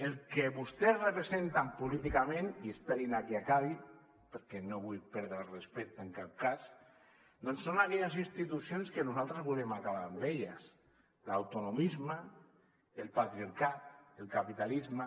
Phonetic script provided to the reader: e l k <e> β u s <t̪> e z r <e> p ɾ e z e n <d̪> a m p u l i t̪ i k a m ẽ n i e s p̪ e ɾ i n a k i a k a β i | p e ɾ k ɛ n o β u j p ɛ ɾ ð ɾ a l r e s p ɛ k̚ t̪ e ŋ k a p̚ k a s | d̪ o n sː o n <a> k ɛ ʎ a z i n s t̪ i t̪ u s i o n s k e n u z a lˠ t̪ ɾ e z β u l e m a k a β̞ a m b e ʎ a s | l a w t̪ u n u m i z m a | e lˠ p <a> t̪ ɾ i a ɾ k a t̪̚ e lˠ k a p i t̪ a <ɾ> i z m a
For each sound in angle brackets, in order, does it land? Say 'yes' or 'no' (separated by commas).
yes, yes, yes, no, yes, yes, no